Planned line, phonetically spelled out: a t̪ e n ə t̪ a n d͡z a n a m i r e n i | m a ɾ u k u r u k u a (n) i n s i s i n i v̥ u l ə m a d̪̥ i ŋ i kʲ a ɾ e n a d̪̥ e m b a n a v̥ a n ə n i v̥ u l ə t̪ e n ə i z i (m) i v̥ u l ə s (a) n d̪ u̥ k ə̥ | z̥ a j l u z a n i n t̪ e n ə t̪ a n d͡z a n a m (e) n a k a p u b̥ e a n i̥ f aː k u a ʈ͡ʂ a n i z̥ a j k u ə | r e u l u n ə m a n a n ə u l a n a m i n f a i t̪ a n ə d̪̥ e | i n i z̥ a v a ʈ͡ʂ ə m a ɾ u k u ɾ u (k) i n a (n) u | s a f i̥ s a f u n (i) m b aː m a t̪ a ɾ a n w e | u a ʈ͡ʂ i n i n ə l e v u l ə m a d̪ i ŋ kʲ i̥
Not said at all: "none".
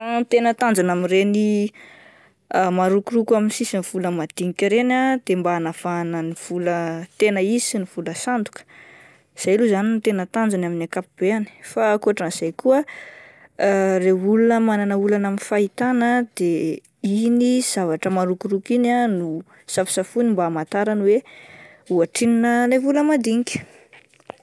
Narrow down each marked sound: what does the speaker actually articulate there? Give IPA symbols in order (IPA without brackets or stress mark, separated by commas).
m, n, a, i, k, n, i